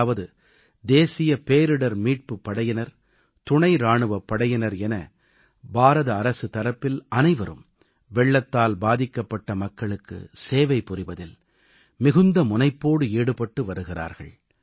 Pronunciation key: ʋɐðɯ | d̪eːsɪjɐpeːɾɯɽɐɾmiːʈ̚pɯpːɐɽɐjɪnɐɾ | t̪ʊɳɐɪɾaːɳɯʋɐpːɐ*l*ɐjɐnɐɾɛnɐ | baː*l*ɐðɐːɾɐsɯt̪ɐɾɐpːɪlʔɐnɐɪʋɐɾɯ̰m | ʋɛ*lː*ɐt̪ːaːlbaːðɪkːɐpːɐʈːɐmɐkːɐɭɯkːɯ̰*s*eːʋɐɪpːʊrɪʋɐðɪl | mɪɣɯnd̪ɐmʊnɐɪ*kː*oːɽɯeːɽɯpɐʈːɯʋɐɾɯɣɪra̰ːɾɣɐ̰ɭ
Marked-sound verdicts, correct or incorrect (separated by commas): incorrect, incorrect, incorrect, correct, incorrect